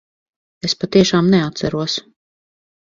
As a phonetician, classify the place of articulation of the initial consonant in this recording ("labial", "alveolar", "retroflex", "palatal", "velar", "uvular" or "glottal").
alveolar